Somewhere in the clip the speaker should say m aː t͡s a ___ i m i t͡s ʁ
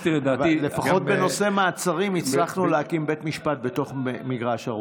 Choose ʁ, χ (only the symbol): ʁ